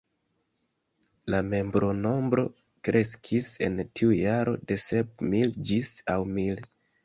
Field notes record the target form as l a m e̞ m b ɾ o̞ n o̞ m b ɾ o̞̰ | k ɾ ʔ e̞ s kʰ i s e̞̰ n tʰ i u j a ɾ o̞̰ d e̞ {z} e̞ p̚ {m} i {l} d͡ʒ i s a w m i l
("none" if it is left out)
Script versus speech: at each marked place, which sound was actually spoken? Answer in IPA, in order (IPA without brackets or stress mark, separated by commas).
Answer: s, m, l